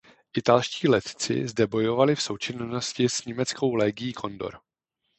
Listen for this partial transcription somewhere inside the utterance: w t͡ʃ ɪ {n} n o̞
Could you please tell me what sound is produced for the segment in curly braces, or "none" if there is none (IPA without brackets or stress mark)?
n